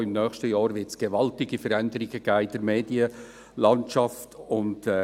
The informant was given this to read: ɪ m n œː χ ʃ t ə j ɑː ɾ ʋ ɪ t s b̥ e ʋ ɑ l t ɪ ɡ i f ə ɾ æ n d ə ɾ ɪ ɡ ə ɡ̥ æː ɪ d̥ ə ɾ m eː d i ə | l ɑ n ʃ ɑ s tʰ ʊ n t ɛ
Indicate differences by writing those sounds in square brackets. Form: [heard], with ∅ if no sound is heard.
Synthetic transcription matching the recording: ɪ m n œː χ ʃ t ə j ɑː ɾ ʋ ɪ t s [ɡ̥] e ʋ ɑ l t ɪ ɡ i f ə ɾ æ n d ə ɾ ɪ ɡ ə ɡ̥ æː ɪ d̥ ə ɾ m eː d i ə | l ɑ n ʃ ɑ [f] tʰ ʊ n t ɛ